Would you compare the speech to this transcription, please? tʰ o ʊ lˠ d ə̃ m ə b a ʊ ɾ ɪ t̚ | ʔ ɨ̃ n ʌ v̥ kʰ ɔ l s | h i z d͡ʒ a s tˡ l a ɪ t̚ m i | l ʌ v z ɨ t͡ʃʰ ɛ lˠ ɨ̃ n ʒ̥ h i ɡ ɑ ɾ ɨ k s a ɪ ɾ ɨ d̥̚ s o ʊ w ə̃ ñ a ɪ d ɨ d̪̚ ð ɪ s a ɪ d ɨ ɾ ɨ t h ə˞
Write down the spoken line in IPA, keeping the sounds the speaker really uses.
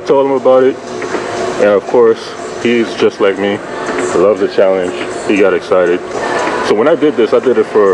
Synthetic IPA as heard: tʰ o ʊ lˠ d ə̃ m ə b a ʊ ɾ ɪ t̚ | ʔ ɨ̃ n ʌ v̥ kʰ ɔ ɹ s | h i z d͡ʒ ʌ s tˡ l a ɪ k̚ m i | l ʌ v z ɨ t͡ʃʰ æ lˠ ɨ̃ n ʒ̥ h i ɡ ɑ ɾ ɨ k s a ɪ ɾ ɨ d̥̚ s o ʊ w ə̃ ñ a ɪ d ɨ d̪̚ ð ɪ s a ɪ d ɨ ɾ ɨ t f ə˞